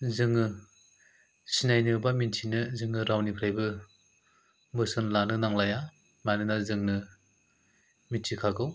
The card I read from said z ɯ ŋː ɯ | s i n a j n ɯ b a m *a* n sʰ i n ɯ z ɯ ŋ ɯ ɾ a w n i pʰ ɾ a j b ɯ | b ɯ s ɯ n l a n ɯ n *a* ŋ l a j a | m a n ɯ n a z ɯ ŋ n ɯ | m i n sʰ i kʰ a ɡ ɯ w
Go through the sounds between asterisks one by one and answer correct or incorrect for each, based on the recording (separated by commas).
incorrect, correct